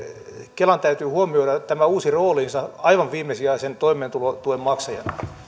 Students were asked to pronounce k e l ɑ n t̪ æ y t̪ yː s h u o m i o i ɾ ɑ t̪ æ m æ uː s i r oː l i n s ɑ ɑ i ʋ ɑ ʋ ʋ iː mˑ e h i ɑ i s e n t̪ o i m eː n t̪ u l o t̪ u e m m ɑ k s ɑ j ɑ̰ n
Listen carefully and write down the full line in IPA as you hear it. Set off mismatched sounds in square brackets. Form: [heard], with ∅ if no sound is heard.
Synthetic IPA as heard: k e l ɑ n t̪ æ y t̪ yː [∅] h u o m i o i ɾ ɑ t̪ æ m æ uː s i r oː l i n s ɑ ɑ i ʋ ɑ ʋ ʋ iː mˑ e [s] i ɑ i s e n t̪ o i m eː n t̪ u l o t̪ u e m m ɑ k s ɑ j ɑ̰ n

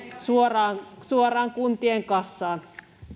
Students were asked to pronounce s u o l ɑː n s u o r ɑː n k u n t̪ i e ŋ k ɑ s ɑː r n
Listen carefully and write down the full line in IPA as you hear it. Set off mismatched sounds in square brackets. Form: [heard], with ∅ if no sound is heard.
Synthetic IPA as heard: s u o [r] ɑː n s u o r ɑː [ŋ] k u n t̪ i e ŋ k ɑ [sː] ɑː [∅] n

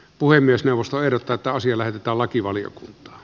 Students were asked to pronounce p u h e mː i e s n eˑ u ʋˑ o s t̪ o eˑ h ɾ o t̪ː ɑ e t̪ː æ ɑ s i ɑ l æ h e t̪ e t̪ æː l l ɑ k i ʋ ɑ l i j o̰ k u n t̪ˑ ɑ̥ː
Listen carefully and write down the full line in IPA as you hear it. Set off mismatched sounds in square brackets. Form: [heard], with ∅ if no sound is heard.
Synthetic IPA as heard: p u h e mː i e s n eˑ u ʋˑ o s t̪ o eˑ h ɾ o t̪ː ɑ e t̪ː æ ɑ s i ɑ l æ h e t̪ e t̪ æː l l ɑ k i ʋ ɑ l i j o̰ k u n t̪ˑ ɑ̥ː

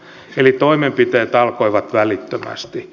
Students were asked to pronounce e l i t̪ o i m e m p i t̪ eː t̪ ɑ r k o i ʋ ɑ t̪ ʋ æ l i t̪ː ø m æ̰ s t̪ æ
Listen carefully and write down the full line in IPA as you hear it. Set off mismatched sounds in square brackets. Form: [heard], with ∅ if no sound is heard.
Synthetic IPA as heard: e l i t̪ o i m e m p i t̪ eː t̪ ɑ [l] k o i ʋ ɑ t̪ ʋ æ l i t̪ː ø m æ̰ s t̪ [i]

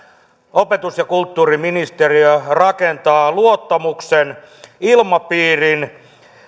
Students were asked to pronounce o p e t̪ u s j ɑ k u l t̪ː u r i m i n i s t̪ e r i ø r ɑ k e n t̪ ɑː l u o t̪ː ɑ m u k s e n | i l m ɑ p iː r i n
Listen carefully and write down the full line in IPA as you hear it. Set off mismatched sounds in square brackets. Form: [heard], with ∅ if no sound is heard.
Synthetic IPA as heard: o p e t̪ u s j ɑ k u l t̪ː [uː] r i m i n i s t̪ e r i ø r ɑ k e n t̪ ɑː l u o t̪ː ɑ m u k s e n | i l m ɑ p iː r i n

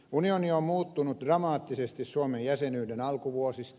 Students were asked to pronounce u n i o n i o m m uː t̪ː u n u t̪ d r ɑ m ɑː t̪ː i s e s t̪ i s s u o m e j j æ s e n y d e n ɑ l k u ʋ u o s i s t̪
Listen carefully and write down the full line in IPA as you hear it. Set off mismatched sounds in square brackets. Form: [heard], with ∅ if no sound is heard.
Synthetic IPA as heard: u n i o n i o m m uː t̪ː u n u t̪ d r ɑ m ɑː t̪ː i s e s t̪ i s s u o m e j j æ s e n [yː] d e n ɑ l k u ʋ u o s i s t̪

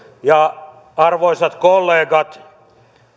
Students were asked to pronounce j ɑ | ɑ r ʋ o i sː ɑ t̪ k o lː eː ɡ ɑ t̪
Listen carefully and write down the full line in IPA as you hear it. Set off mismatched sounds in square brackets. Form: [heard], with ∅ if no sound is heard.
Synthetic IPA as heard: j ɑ | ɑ r ʋ o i [s] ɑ t̪ k o lː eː ɡ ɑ t̪

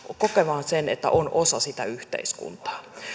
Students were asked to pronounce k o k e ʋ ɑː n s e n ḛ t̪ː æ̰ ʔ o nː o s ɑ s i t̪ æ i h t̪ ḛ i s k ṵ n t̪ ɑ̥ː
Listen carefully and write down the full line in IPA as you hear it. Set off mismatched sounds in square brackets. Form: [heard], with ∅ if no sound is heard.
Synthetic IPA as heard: k o k e ʋ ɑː n s e n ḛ t̪ː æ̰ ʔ o [n] o s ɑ s i t̪ æ [y] h t̪ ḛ i s k ṵ n t̪ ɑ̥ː

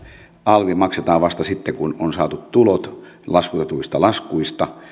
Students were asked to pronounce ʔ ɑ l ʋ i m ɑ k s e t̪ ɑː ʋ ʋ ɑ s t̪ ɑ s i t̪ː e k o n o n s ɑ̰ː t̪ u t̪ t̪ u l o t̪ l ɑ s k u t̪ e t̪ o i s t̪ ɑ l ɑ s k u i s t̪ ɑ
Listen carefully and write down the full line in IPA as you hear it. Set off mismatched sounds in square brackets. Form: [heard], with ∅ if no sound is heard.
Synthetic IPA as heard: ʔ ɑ l ʋ i m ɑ k s e t̪ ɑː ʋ ʋ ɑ s t̪ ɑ s i t̪ː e k [u] n o n s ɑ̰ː t̪ u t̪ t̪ u l o t̪ l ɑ s k u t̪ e t̪ [u] i s t̪ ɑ l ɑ s k u i s t̪ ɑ

